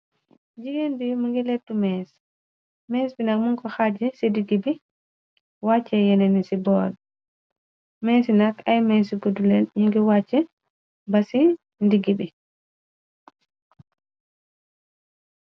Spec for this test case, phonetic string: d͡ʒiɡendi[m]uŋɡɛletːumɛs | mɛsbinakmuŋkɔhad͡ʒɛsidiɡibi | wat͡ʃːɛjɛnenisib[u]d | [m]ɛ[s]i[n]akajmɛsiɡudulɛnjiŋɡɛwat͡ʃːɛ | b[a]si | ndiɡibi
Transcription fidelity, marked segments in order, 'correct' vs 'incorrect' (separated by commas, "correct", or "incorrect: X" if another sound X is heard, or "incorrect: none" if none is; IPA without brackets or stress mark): correct, incorrect: ɔ, correct, correct, correct, correct